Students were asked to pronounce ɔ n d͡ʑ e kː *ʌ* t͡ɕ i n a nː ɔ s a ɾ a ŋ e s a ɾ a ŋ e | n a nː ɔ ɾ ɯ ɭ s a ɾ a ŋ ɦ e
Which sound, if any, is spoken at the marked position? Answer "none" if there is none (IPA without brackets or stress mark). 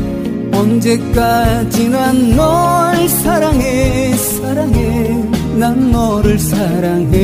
a